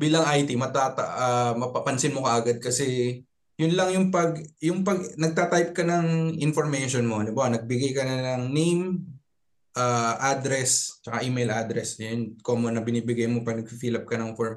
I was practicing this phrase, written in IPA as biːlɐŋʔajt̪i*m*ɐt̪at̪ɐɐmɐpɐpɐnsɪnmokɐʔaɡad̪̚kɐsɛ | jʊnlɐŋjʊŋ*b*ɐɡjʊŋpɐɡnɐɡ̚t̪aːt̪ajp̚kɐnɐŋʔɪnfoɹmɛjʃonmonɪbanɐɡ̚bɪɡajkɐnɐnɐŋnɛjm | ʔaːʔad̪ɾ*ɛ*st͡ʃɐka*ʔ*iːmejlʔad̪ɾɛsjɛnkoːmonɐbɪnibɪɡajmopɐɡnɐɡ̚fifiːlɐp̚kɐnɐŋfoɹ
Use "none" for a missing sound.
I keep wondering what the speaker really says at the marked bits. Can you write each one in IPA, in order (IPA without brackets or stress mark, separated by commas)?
m, p, ɛ, ʔ